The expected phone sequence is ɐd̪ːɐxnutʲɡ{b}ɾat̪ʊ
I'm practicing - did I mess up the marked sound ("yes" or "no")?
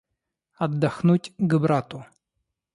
no